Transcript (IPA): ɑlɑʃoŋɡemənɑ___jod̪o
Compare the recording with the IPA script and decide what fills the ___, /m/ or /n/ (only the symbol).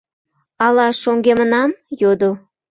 m